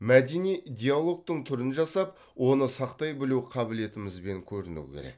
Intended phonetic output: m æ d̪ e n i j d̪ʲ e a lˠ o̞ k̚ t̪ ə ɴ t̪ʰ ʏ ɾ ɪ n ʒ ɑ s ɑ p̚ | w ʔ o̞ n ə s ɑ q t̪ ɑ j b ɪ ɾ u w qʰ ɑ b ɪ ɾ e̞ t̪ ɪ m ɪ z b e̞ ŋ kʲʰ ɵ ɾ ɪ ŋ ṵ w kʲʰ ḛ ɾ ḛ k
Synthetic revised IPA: m æ d̪ e n i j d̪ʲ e a lˠ o̞ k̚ t̪ ə ɴ t̪ʰ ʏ ɾ ɪ n ʒ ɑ s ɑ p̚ | w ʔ o̞ n ə s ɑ q t̪ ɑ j b ɪ l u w qʰ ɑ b ɪ l e̞ t̪ ɪ m ɪ z b e̞ ŋ kʲʰ ɵ ɾ ɪ n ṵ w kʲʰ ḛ ɾ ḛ k